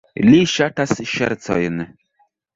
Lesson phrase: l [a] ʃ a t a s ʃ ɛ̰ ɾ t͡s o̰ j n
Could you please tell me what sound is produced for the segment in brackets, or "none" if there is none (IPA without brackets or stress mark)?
i